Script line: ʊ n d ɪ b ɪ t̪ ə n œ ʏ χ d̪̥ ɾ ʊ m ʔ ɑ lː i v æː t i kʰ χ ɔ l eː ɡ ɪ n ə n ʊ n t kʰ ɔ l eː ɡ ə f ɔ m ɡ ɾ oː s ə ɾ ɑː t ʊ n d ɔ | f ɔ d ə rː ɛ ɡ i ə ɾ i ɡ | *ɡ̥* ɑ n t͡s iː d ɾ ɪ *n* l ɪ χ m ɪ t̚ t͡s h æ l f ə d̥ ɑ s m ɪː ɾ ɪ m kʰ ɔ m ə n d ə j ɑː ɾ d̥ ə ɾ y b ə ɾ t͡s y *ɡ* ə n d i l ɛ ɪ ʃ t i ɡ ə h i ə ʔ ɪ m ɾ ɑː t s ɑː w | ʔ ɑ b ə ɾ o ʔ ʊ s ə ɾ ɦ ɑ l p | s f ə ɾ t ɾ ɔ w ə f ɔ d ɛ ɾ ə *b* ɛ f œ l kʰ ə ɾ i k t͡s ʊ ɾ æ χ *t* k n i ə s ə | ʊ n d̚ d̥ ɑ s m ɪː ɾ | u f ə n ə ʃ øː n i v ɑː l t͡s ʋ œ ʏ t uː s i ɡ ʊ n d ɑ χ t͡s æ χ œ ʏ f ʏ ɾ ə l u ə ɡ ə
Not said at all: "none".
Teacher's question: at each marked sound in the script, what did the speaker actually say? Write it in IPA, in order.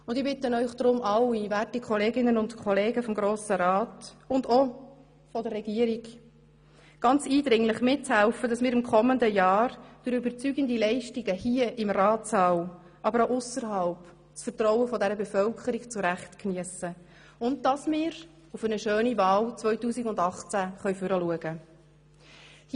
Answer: ɡ̥, ŋ, ɡ, b, t

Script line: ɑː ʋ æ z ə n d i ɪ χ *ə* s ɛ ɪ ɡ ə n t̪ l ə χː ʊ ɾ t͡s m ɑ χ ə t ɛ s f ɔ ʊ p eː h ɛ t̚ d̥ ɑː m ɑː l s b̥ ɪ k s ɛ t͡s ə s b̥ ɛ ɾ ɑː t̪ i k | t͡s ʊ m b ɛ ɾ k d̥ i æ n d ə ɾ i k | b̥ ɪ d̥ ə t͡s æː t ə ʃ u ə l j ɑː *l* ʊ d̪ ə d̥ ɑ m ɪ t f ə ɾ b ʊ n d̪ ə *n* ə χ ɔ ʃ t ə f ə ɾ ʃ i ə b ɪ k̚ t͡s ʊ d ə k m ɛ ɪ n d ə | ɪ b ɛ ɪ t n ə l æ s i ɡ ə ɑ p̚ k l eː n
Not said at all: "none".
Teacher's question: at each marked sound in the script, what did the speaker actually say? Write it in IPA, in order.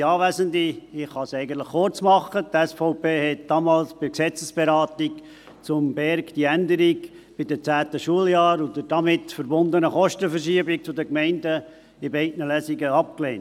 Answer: ɑ, ɾ, n

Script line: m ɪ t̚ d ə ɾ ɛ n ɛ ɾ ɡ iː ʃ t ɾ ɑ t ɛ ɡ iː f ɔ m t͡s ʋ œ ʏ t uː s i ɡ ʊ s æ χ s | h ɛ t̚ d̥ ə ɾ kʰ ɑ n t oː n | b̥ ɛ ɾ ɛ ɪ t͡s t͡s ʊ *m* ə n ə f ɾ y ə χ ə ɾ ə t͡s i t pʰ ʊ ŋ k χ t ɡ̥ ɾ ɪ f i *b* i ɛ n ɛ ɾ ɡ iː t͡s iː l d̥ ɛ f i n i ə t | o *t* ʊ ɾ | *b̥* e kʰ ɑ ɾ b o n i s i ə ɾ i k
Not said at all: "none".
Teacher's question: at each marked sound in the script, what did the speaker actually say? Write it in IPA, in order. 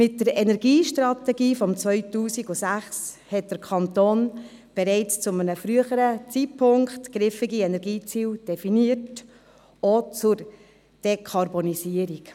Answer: m, ɡ, t͡s, d̥

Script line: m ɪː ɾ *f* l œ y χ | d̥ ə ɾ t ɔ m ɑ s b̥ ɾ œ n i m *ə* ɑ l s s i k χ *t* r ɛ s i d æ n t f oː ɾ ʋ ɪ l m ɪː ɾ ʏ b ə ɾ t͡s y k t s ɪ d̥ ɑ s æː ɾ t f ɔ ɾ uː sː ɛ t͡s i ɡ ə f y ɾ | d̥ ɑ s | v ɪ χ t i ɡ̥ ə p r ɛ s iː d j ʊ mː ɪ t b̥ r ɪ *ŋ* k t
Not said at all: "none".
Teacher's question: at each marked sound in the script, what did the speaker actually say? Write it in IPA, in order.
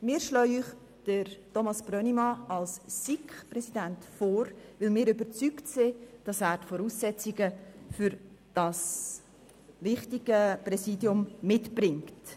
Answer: ʃ, ɑ, p, ŋ

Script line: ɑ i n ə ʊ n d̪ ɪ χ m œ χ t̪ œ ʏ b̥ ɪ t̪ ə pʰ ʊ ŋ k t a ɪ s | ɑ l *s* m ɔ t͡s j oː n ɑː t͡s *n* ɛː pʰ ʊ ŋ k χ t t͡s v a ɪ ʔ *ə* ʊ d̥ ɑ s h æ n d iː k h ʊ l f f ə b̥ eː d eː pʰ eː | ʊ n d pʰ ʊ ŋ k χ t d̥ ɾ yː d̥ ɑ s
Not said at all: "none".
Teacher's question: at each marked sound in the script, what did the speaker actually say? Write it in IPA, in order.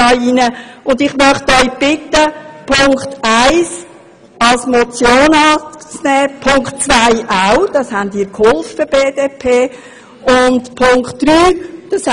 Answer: s, n, a

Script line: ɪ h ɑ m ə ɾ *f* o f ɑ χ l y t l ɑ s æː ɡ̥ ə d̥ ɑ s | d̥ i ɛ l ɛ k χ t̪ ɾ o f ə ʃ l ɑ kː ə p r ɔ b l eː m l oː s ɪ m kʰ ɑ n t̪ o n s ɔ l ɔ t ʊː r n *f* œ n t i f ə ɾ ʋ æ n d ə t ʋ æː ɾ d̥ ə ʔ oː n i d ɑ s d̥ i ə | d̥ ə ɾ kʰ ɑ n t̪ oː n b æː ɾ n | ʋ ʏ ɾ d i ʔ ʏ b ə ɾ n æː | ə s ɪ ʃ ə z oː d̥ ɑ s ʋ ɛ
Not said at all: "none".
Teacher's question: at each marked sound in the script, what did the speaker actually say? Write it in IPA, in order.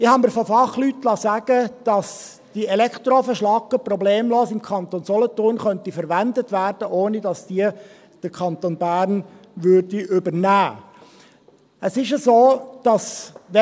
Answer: f, χ

